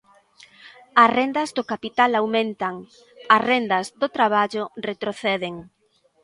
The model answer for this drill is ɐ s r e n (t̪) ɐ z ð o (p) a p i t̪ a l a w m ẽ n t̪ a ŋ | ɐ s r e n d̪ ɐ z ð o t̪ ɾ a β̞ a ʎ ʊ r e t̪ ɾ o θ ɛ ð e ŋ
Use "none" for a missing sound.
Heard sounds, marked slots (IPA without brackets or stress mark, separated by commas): d̪, k